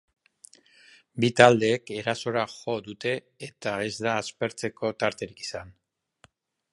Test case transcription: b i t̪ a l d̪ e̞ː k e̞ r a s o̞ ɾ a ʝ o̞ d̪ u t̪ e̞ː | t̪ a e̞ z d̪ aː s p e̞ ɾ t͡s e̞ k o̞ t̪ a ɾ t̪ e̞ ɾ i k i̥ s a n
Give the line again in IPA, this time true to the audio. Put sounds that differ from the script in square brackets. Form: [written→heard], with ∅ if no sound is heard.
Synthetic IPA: b i t̪ a l d̪ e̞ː k e̞ [r→ɾ] a s o̞ ɾ a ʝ o̞ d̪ u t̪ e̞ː | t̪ a e̞ z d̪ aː s p e̞ ɾ t͡s e̞ k o̞ t̪ a ɾ t̪ e̞ ɾ i k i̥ s a n